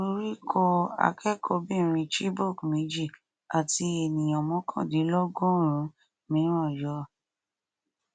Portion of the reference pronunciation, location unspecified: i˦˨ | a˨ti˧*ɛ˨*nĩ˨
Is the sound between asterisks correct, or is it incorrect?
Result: incorrect